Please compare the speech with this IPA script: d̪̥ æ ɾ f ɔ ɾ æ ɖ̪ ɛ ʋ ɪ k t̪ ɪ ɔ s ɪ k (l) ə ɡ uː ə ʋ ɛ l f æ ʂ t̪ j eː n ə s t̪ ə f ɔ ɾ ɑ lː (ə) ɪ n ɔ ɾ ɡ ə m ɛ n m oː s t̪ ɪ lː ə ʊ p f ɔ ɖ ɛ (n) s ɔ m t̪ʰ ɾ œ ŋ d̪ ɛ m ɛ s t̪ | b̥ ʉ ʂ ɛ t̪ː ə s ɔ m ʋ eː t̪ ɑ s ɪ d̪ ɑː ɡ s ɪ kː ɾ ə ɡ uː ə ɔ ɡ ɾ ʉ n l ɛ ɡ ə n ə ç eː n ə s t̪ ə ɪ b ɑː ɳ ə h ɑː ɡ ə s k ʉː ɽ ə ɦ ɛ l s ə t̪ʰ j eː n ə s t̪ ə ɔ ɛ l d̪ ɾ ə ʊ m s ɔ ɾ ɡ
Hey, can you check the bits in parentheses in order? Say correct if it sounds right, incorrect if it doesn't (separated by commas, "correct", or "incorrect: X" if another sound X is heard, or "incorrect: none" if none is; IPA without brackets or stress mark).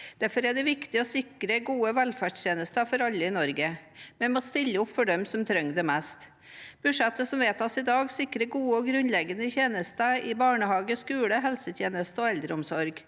incorrect: ɾ, correct, incorrect: m